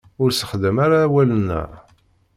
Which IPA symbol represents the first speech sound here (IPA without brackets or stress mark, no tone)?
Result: ʊ